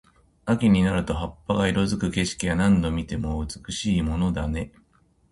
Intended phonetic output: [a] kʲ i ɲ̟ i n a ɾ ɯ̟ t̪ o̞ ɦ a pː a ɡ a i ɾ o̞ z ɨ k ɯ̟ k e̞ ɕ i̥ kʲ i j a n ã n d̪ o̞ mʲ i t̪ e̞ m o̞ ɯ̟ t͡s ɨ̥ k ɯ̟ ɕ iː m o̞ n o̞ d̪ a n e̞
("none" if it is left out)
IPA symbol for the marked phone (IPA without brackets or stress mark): a